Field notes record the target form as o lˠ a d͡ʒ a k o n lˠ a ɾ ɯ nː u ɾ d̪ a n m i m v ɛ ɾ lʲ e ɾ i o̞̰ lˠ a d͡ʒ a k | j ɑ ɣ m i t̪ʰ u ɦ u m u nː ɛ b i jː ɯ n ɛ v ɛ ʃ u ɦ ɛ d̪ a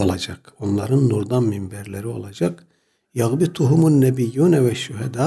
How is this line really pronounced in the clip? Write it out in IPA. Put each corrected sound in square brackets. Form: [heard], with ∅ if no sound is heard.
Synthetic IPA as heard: o lˠ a d͡ʒ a k o n lˠ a ɾ ɯ nː u ɾ d̪ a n m i m [b] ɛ ɾ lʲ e ɾ i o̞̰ lˠ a d͡ʒ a k | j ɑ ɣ [b] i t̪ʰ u ɦ u m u nː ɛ b i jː [u] n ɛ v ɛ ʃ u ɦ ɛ d̪ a